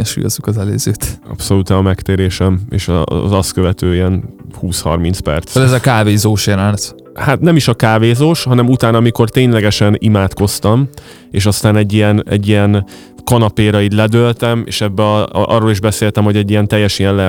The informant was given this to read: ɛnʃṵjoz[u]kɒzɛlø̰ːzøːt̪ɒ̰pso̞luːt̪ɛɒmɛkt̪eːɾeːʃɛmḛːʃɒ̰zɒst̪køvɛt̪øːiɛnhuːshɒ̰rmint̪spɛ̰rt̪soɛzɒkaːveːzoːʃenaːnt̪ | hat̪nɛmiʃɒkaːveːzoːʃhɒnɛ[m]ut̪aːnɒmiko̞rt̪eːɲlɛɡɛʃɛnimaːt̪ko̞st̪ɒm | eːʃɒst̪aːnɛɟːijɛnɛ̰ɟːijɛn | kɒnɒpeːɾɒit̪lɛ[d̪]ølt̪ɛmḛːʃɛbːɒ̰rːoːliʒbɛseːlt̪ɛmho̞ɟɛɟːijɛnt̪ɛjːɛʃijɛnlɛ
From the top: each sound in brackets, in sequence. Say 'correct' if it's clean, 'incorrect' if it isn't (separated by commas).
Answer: correct, correct, correct